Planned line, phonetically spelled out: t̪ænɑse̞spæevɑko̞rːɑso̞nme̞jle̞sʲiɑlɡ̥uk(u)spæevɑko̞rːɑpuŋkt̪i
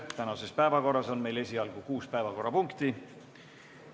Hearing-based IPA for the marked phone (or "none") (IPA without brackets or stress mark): uː